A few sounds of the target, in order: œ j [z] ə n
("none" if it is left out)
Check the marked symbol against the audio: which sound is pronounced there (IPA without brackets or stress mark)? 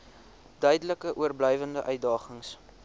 v